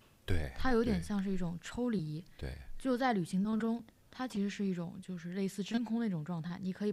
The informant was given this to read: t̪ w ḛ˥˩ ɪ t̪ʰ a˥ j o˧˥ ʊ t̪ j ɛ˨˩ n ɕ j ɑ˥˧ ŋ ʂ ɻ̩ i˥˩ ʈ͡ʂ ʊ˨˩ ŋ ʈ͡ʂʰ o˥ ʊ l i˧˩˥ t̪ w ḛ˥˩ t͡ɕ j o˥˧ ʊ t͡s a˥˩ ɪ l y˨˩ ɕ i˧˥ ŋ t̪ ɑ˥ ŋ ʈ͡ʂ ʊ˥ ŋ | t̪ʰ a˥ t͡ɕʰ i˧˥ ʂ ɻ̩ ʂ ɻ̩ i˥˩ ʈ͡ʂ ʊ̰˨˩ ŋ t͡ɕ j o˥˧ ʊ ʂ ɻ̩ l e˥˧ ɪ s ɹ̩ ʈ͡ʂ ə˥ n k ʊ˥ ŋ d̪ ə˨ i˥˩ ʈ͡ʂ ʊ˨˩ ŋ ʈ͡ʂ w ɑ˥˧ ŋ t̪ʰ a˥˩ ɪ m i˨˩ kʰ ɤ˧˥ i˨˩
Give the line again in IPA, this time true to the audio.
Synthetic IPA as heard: t̪ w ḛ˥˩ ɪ t̪ʰ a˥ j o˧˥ ʊ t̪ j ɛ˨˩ n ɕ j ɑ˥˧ ŋ ʂ ɻ̩ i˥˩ ʈ͡ʂ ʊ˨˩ ŋ ʈ͡ʂʰ o˥ ʊ l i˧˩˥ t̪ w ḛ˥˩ t͡ɕ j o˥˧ ʊ t͡s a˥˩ ɪ l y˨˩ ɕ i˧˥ ŋ t̪ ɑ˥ ŋ ʈ͡ʂ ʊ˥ ŋ | t̪ʰ a˥ t͡ɕʰ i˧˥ ʂ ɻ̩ ʂ ɻ̩ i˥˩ ʈ͡ʂ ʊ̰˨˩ ŋ t͡ɕ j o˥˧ ʊ ʂ ɻ̩ l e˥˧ ɪ s ɹ̩ ʈ͡ʂ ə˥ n kʰ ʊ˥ ŋ d̪ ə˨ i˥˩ ʈ͡ʂ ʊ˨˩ ŋ ʈ͡ʂ w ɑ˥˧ ŋ t̪ʰ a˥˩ ɪ n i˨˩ kʰ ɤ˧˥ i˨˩